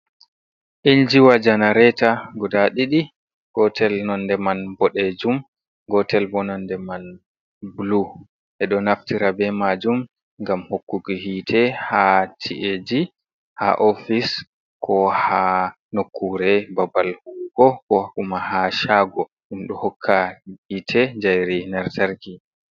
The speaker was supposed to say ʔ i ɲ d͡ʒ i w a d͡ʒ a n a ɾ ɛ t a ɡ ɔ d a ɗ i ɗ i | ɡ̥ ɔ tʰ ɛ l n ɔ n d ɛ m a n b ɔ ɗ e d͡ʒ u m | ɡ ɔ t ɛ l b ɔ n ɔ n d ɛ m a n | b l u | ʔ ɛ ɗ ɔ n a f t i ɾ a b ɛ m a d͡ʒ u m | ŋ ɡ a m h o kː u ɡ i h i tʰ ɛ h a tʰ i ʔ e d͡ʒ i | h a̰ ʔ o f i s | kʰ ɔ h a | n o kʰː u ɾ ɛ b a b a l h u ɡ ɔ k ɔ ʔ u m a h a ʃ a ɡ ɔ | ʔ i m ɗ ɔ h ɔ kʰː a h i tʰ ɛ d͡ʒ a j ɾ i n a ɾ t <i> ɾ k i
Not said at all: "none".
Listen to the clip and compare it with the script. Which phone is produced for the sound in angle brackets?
a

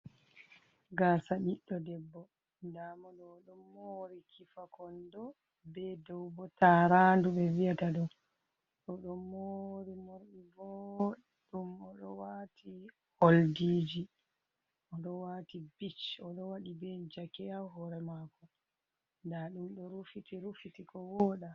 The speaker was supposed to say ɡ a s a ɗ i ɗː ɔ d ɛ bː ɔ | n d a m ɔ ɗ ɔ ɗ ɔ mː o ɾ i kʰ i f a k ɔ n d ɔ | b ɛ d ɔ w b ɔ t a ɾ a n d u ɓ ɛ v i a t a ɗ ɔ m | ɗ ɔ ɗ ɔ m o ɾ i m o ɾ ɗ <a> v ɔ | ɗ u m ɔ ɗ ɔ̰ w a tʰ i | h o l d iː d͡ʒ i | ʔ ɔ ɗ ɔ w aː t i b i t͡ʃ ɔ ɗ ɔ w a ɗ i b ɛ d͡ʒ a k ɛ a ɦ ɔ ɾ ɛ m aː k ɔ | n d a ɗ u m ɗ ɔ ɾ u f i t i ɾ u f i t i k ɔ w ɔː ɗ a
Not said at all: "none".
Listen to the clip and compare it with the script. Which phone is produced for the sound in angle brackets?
i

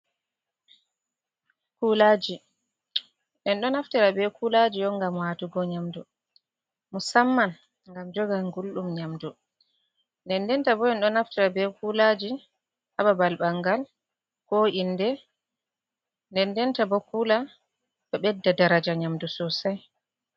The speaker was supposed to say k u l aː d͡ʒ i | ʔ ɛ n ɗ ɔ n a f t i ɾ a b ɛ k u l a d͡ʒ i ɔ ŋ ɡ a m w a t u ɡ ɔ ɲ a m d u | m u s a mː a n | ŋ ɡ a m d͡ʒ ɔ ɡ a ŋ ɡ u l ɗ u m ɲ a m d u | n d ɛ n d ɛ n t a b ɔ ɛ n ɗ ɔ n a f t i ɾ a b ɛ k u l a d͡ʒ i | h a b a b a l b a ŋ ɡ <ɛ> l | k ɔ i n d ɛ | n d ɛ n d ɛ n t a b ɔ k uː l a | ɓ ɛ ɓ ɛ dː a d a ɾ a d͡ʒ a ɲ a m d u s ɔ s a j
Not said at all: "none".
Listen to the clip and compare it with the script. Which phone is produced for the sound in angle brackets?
a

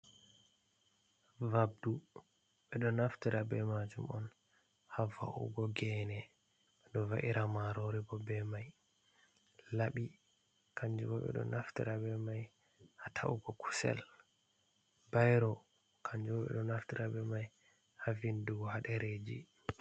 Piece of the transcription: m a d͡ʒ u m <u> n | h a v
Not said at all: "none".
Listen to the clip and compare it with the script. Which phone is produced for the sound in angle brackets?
ɔ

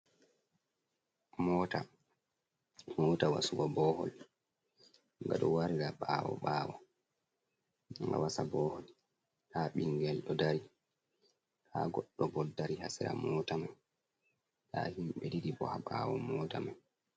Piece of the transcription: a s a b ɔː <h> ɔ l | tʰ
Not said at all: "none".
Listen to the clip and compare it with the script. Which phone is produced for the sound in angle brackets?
h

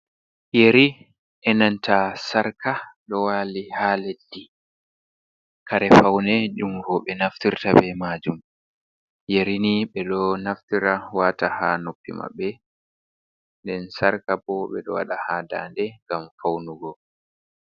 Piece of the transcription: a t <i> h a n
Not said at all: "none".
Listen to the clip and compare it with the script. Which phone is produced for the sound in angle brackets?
a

